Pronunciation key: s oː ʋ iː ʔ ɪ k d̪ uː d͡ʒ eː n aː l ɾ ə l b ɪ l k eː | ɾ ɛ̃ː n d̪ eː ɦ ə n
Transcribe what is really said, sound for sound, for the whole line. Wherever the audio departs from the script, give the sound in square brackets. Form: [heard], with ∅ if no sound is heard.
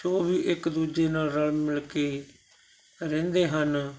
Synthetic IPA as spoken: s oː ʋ iː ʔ ɪ k d̪ uː d͡ʒ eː n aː l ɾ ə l [m] ɪ l k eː | ɾ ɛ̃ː n d̪ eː ɦ ə n